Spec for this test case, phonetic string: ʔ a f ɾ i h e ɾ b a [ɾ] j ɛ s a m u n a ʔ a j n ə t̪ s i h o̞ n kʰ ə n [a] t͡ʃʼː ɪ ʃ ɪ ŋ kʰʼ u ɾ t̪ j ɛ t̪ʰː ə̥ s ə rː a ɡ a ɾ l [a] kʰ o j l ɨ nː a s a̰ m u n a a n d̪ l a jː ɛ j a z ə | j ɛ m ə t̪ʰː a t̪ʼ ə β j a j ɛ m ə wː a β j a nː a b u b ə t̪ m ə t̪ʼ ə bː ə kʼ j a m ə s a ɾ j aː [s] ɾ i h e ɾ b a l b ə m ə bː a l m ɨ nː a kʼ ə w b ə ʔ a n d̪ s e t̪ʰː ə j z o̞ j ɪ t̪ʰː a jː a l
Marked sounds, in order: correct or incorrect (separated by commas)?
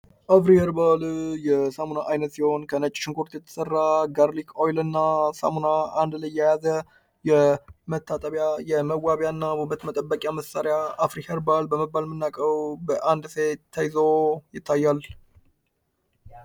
incorrect, incorrect, incorrect, incorrect